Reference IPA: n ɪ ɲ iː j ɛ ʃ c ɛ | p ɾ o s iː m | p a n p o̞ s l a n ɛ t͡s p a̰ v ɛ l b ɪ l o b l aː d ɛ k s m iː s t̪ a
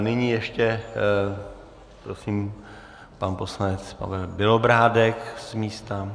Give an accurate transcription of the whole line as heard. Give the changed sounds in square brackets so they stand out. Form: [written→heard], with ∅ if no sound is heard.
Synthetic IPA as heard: n ɪ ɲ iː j ɛ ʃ c ɛ | p ɾ o s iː m | p a n p o̞ s l a n ɛ t͡s p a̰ v ɛ l b ɪ l o b [l→ɾ] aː d ɛ k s m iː s t̪ a